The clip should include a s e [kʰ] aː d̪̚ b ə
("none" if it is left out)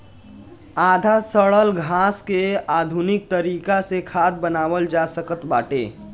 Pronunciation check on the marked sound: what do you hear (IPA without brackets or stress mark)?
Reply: kʰ